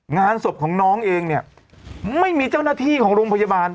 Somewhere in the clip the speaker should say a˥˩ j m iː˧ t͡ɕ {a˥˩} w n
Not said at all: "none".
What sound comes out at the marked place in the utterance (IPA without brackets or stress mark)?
a˥˩